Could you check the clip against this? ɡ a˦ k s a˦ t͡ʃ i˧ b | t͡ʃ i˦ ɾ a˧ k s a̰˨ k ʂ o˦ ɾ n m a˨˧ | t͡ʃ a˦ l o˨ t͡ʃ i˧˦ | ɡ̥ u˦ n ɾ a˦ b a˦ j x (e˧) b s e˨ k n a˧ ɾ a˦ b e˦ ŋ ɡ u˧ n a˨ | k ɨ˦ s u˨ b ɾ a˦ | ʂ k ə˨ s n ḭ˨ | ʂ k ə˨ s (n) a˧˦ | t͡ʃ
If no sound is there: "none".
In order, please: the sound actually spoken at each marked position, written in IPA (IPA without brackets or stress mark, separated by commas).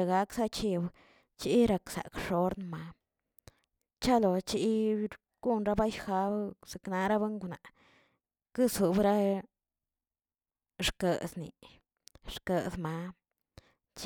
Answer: a˧, m